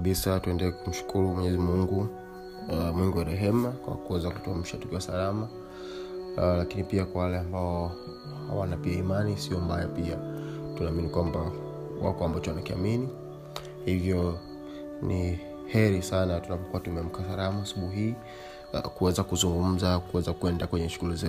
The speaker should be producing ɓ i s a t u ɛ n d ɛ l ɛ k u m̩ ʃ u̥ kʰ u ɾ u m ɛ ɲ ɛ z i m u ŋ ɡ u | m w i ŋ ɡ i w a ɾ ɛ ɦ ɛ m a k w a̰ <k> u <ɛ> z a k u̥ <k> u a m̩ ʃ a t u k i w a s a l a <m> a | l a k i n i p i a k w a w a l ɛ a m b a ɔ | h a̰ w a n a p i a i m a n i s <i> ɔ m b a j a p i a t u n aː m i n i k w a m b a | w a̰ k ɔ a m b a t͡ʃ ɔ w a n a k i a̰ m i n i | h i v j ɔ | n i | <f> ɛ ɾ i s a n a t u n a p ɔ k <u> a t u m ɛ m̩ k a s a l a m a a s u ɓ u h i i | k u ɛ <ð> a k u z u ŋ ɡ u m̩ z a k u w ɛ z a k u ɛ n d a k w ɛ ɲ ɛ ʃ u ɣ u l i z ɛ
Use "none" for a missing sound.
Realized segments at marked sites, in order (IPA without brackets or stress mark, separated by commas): k, ɛ, t, m, i, h, u, z